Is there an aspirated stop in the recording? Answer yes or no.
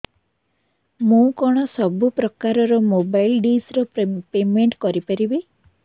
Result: no